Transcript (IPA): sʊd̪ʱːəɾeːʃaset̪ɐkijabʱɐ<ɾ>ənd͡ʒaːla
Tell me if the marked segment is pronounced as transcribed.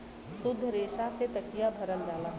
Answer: yes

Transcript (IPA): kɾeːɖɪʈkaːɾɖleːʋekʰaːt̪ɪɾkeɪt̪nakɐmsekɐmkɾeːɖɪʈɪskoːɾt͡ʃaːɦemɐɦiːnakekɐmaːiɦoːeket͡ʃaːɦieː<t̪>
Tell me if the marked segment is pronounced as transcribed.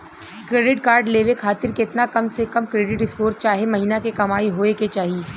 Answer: no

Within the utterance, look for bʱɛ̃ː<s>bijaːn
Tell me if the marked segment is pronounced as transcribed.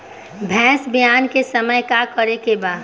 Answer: yes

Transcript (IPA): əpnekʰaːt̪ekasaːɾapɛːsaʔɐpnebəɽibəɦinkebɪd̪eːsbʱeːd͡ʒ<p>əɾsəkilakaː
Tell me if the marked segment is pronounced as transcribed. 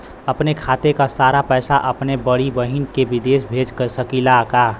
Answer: no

